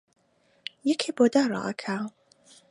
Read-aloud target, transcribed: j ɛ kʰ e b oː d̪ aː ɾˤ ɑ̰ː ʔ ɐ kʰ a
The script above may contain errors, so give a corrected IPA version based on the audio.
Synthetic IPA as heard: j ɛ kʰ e b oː d̪ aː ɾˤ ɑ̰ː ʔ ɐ kʰ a

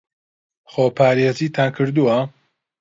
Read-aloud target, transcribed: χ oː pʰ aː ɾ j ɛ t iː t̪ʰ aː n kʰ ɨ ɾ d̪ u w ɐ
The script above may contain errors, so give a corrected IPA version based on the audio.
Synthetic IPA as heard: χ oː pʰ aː ɾ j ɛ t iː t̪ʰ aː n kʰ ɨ ɾ d̪ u w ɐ

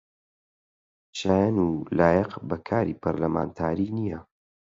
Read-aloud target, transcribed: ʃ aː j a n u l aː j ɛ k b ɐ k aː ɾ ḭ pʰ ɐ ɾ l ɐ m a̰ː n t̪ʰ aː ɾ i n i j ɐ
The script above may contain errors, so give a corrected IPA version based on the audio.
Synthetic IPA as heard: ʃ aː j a n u l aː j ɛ q b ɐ kʰ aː ɾ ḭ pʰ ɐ ɾ l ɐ m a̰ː n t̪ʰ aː ɾ i n i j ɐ

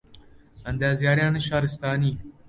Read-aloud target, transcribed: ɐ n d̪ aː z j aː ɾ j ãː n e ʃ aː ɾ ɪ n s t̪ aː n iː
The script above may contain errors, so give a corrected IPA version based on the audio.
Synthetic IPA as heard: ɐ n d̪ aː z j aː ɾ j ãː n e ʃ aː ɾ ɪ s t̪ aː n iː

